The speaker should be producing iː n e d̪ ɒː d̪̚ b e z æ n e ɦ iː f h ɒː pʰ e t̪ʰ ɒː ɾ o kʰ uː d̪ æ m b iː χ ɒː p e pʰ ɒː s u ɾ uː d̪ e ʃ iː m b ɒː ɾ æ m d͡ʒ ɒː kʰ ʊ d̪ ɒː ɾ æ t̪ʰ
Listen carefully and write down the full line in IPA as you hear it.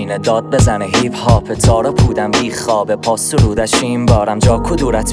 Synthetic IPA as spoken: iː n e d̪ ɒː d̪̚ b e z æ n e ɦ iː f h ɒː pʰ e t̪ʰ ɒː ɾ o pʰ uː d̪ æ m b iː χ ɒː b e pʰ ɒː s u ɾ uː d̪ æ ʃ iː m b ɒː ɾ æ m d͡ʒ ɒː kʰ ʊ d̪ uː ɾ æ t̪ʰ